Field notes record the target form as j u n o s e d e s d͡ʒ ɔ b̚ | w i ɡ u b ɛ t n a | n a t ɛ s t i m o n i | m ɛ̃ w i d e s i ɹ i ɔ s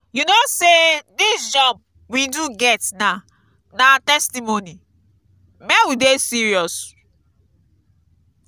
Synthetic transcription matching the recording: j u n o s e d i s d͡ʒ ɔ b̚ | w i d u ɡ ɛ t n a | n a t ɛ s t i m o n i | m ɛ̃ w i d e s i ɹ i ɔ s